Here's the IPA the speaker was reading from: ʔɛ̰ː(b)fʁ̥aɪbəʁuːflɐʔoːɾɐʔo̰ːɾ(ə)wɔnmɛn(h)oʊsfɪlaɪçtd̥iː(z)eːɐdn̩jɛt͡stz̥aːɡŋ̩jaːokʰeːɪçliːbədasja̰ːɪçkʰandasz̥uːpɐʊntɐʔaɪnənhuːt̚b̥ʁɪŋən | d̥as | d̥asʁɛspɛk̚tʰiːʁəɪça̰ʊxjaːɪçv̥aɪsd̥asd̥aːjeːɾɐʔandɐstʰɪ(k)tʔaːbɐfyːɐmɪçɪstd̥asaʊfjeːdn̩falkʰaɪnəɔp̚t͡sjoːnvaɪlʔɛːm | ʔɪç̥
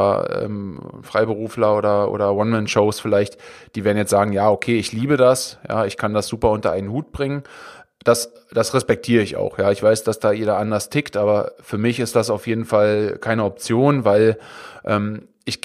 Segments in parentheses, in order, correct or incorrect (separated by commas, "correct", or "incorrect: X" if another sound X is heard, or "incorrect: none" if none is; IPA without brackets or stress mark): incorrect: m, incorrect: ɐ, incorrect: ʃ, incorrect: v, correct